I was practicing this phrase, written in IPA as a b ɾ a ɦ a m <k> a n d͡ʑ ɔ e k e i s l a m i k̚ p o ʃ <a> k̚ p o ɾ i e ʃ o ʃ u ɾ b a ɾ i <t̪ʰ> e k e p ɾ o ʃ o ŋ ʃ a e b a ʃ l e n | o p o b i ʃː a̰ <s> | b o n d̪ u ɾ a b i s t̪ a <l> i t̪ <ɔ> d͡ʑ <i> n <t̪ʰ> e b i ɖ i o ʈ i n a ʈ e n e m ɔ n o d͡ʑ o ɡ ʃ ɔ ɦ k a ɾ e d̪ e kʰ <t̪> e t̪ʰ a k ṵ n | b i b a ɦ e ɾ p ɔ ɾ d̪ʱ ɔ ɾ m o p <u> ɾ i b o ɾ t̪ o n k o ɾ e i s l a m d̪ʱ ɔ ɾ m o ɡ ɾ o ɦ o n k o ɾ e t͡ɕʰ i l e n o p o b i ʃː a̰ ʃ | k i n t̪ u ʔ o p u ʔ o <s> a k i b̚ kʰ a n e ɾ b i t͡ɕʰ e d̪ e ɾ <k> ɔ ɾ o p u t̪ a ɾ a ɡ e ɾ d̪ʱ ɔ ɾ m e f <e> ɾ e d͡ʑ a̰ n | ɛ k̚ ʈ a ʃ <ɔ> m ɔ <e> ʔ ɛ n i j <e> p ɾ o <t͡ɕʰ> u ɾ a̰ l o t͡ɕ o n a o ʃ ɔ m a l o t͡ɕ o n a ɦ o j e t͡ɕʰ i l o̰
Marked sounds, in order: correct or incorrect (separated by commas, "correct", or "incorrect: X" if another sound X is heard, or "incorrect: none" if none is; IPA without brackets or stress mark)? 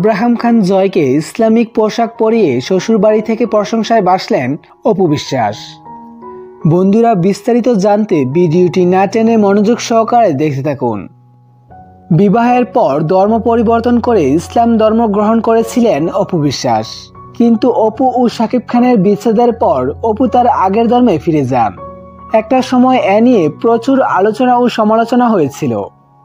incorrect: kʰ, correct, correct, incorrect: ʃ, incorrect: ɾ, incorrect: o, incorrect: a, incorrect: t̪, correct, incorrect: o, incorrect: ʃ, incorrect: p, incorrect: i, correct, correct, correct, incorrect: t͡ɕ